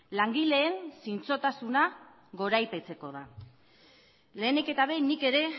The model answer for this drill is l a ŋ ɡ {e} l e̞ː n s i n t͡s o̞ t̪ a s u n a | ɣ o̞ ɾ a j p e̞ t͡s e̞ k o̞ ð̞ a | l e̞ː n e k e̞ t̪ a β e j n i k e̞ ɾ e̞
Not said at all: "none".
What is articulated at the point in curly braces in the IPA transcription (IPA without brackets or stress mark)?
i